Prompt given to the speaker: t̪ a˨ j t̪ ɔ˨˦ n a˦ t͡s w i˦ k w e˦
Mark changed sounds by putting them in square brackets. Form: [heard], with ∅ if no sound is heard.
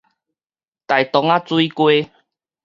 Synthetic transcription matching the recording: t̪ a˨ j t̪ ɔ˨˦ [ŋ] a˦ t͡s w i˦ k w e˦